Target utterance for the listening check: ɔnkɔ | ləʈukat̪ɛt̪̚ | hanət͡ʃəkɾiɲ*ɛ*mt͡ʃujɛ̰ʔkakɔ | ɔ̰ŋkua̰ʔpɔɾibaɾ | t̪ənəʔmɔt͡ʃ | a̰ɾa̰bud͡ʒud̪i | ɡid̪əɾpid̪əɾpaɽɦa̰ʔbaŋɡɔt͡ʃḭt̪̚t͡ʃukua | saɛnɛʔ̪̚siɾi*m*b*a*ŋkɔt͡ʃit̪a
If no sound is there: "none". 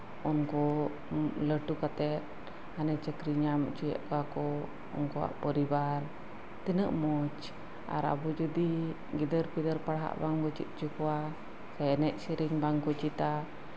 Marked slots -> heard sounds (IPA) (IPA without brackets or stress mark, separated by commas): a, ŋ, a